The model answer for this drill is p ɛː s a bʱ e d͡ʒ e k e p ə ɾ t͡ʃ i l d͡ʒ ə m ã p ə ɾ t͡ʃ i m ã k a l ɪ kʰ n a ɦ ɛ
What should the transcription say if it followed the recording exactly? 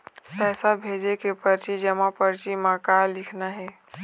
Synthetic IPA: p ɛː s a bʱ e d͡ʒ e k e p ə ɾ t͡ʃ i d͡ʒ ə m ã p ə ɾ t͡ʃ i m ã k a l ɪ kʰ n a ɦ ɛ